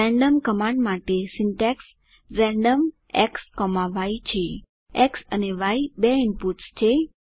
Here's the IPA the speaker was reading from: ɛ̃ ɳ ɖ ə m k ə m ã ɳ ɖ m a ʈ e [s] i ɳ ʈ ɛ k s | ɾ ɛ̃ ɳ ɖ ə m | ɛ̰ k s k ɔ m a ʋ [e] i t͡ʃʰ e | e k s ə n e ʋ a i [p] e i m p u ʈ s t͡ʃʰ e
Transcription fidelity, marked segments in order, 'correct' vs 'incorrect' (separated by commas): correct, incorrect, incorrect